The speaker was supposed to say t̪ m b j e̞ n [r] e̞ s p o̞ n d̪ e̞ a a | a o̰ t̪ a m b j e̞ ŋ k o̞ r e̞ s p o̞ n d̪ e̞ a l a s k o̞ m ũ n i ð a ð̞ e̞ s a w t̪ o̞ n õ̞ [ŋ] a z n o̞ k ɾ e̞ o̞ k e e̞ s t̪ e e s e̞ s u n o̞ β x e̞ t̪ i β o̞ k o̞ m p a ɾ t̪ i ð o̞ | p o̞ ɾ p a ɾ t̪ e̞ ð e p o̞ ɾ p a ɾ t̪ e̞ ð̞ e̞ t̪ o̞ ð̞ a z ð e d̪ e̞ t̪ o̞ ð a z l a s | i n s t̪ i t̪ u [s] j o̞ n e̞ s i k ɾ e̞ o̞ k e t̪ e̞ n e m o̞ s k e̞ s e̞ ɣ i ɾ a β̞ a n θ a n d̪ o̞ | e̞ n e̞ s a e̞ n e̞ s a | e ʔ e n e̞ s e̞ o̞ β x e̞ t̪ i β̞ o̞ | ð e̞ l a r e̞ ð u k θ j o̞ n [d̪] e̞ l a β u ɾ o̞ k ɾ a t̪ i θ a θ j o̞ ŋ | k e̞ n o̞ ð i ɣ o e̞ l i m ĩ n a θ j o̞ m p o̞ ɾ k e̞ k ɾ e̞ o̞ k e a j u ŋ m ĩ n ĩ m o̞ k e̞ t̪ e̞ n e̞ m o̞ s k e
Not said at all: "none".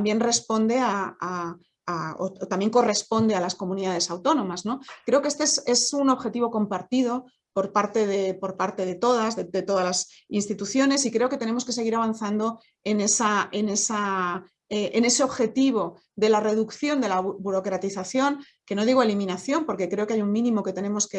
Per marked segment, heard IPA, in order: r, m, θ, d̪

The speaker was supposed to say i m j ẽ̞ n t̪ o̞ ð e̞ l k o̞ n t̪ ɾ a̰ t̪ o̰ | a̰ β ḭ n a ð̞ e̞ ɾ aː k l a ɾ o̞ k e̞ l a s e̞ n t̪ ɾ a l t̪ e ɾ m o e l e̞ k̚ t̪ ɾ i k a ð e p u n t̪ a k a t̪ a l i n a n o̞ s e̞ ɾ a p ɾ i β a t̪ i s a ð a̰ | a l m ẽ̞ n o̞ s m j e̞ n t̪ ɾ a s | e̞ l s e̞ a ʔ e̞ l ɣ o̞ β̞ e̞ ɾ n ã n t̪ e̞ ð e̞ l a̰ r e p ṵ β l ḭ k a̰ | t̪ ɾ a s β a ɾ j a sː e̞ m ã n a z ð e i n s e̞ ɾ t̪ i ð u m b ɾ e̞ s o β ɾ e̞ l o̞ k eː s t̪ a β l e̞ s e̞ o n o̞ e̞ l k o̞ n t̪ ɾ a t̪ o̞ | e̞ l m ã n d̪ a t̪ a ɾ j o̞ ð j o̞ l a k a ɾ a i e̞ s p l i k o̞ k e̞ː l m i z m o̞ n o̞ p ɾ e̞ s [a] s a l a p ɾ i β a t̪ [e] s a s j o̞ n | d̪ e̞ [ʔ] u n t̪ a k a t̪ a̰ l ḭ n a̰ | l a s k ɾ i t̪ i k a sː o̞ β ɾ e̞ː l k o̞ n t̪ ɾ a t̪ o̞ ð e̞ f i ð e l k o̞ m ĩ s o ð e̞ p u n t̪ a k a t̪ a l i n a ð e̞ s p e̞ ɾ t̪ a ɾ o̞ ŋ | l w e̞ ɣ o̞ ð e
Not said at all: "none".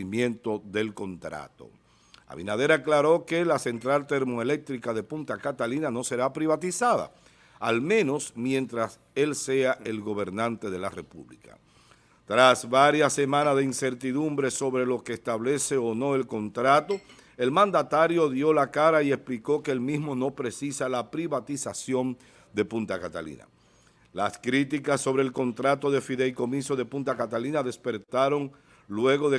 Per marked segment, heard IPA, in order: i, i, p

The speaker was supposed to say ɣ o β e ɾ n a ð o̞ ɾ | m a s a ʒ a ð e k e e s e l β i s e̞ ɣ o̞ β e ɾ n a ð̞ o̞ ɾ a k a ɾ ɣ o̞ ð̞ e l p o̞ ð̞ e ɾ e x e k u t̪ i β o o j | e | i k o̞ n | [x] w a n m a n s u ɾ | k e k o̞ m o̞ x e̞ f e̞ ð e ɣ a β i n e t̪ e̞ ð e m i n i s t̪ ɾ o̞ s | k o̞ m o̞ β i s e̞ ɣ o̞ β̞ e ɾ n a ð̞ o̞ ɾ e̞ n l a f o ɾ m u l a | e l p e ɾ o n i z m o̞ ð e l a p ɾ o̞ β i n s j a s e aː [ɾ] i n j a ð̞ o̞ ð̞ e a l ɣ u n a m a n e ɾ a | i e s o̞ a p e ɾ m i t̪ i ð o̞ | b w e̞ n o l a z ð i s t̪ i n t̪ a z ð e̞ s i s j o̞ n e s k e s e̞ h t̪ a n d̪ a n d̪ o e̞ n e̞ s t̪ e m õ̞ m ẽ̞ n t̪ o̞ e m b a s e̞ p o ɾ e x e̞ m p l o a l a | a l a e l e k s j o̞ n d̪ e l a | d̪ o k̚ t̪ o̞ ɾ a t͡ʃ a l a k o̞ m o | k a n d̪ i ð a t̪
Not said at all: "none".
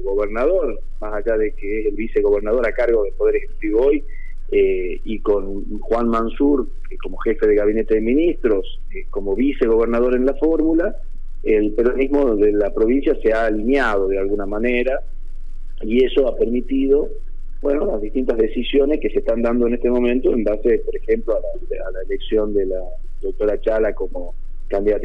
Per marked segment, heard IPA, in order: x, l

